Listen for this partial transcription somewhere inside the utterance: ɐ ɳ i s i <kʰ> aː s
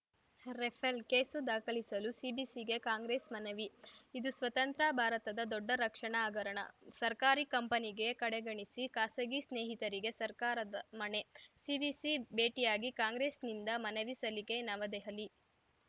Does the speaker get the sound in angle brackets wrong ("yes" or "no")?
yes